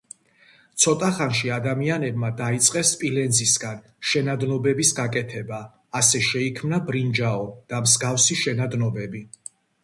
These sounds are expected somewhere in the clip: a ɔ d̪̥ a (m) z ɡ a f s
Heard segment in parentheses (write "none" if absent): m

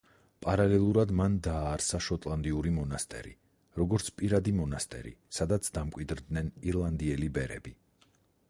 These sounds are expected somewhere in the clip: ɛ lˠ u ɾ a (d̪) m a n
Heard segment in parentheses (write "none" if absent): d̪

